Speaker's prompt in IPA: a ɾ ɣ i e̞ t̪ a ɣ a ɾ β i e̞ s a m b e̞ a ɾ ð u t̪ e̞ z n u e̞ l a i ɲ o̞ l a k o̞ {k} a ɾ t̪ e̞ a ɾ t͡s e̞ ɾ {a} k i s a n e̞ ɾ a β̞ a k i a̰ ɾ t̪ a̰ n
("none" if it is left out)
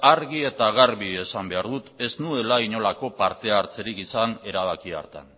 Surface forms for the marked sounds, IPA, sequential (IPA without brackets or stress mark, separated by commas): p, i